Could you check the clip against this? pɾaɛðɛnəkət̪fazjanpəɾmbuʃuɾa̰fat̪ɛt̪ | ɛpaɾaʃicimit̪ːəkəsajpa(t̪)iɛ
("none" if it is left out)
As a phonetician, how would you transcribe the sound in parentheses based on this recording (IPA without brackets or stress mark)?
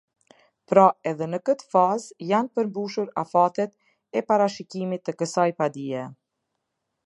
d̪